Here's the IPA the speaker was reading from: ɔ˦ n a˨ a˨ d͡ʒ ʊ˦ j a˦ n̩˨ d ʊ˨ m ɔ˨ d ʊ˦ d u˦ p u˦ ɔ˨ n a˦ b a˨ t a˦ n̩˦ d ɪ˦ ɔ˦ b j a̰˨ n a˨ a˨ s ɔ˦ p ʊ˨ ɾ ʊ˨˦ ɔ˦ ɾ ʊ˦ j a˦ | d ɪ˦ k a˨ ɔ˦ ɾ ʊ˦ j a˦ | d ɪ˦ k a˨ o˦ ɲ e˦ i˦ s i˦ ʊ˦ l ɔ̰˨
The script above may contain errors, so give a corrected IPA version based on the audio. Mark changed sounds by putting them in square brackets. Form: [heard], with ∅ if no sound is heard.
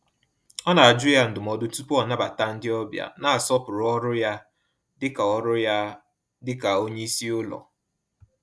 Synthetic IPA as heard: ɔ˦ n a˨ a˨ d͡ʒ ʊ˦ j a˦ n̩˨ d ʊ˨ m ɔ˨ d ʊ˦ [t] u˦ p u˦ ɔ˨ n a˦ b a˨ t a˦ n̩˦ d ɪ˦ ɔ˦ b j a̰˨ n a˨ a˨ s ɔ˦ p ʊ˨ ɾ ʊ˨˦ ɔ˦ ɾ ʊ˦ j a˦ | d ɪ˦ k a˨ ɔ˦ ɾ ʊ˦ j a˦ | d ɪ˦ k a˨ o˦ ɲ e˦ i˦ s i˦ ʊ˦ l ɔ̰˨